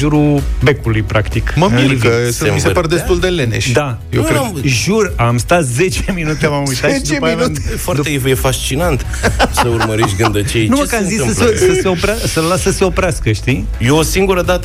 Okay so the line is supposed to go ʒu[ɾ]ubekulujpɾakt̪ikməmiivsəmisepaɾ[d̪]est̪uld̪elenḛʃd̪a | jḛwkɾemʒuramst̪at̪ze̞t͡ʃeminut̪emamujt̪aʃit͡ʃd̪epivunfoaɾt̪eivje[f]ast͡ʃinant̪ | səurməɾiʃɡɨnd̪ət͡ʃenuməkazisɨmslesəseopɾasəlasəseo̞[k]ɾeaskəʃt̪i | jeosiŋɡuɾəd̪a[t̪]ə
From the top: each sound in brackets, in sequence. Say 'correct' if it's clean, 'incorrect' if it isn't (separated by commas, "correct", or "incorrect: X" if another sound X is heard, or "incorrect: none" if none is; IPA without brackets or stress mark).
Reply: correct, correct, correct, incorrect: p, correct